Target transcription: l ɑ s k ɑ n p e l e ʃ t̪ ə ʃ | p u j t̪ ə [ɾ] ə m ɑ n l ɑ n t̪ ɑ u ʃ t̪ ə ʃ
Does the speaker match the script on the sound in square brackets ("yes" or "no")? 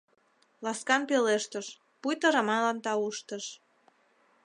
yes